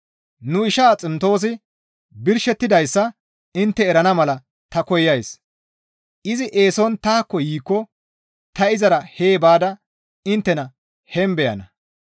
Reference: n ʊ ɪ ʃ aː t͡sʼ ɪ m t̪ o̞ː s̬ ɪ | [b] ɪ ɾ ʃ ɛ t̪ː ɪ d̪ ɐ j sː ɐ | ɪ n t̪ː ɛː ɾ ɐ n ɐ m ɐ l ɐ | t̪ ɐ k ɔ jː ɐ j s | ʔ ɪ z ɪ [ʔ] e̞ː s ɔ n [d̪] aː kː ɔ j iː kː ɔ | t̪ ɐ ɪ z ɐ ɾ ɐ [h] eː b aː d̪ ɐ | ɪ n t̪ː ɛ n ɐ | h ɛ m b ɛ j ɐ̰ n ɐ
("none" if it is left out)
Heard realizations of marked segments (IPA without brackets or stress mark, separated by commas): b, ʔ, t̪, h